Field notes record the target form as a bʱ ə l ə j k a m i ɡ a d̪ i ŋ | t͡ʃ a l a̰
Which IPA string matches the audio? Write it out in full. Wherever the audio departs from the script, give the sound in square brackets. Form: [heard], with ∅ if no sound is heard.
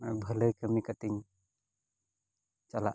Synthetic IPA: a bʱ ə l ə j k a m i [k] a [t̪] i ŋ | t͡ʃ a l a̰